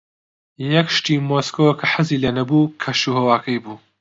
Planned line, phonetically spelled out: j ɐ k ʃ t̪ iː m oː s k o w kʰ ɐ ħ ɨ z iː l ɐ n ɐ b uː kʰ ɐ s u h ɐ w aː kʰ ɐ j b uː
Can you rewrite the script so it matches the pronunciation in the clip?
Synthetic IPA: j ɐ k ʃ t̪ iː m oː s k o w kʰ ɐ ħ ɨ z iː l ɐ n ɐ b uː kʰ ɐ ʃ u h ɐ w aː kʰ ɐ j b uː